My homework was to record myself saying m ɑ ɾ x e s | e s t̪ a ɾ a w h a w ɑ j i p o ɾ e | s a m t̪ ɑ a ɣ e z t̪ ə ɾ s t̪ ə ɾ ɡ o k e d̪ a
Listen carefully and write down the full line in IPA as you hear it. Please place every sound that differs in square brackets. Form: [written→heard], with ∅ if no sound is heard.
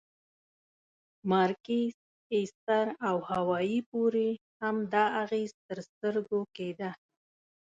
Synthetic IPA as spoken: m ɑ ɾ [x→k] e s | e s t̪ a ɾ a w h a w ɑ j i p o ɾ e | [s→h] a m [t̪→d̪] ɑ a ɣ e z t̪ ə ɾ s t̪ ə ɾ ɡ o k e d̪ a